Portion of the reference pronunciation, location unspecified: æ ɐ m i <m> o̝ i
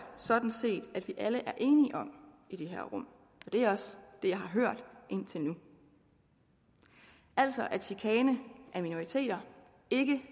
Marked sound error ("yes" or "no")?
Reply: yes